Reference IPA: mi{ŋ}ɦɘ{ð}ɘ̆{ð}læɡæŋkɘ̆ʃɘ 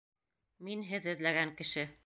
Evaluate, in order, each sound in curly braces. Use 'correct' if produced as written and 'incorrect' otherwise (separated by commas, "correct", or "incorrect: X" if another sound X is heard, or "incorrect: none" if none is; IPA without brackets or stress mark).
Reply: incorrect: n, correct, correct